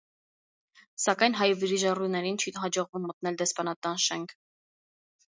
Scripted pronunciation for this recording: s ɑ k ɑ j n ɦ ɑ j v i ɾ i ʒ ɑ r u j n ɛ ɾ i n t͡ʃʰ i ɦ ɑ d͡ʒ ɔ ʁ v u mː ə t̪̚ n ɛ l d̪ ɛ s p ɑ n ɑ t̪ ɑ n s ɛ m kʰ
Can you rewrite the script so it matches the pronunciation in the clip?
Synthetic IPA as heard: s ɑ k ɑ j n ɦ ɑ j v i ɾ i ʒ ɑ r u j n ɛ ɾ i n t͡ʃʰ i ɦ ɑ d͡ʒ ɔ ʁ v u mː ə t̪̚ n ɛ l d̪ ɛ s p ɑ n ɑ t̪ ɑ n ʃ ɛ ŋ kʰ

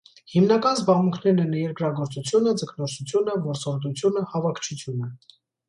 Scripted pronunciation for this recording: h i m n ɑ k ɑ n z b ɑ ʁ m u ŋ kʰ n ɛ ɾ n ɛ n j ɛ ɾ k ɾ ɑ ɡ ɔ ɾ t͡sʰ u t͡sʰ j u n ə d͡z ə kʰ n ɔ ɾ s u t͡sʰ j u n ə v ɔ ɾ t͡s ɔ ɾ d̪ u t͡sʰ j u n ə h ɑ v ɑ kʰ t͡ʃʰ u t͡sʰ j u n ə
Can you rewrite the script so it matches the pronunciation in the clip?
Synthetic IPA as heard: h i m n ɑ k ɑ n z b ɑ ʁ m u ŋ kʰ n ɛ ɾ n ɛ n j ɛ ɾ k ɾ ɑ ɡ ɔ ɾ t͡s u t͡sʰ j u n ə d͡z ə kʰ n ɔ ɾ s u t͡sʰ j u n ə v ɔ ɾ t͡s ɔ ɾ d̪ u t͡sʰ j u n ə h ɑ v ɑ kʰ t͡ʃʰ u t͡sʰ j u n ə

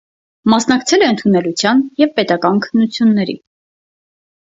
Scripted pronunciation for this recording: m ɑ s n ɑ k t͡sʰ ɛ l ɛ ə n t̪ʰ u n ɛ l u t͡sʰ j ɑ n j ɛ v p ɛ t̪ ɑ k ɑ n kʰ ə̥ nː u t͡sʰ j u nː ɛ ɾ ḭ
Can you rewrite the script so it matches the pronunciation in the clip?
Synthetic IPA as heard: m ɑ s n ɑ k t͡sʰ ɛ l ɛ ə n t̪ʰ u n ɛ l u t͡sʰ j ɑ n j ɛ v p ɛ t̪ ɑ k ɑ n kʰ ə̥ nː u t͡sʰ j u nː ɛ ɾ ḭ

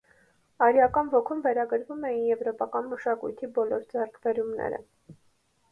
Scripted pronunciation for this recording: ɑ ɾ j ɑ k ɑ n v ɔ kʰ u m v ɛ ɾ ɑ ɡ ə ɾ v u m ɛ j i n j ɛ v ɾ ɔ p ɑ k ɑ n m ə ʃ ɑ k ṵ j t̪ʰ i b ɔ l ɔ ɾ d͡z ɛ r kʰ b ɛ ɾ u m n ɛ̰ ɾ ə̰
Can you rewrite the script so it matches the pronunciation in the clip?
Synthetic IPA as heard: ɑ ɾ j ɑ k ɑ n v ɔ kʰ u m v ɛ ɾ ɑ ɡ ə ɾ v u m ɛ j i n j ɛ v ɾ ɔ p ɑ k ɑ n m ə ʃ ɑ k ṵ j t̪ʰ i b ɔ l ɔ ɾ d͡z ɛ r kʰ b ɛ ɾ u m n ɛ̰ ɾ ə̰

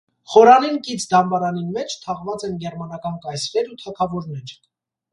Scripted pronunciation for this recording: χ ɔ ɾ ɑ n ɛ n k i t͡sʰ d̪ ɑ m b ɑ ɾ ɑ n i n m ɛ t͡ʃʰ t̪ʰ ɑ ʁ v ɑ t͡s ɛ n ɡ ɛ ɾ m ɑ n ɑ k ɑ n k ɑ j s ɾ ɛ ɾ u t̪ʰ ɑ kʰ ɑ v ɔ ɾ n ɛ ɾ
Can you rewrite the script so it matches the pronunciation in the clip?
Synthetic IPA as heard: χ ɔ ɾ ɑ n i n k i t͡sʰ d̪ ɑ m b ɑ ɾ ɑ n i n m ɛ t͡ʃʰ t̪ʰ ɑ ʁ v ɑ t͡s ɛ n ɡ ɛ ɾ m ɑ n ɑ k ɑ n k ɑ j s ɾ ɛ ɾ u t̪ʰ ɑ kʰ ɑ v ɔ ɾ n ɛ ɾ

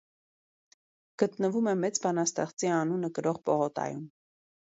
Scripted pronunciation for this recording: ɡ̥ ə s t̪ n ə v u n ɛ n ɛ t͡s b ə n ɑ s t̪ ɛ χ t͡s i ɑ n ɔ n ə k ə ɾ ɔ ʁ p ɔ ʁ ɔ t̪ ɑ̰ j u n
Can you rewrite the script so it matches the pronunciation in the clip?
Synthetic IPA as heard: ɡ̥ ə t̪ n ə v u m ɛ m ɛ t͡s b ɑ n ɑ s t̪ ɛ χ t͡s i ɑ n u n ə k ə ɾ ɔ ʁ p ɔ ʁ ɔ t̪ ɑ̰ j u m

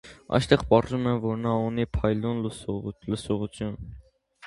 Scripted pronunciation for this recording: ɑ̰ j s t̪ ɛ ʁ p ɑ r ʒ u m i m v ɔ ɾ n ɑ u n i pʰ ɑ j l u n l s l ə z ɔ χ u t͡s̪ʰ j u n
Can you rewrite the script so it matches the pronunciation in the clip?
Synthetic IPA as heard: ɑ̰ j s t̪ ɛ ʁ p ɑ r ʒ u m ɛ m v ɔ ɾ n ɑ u n i pʰ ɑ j l u n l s l ə s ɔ ʁ u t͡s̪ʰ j u n

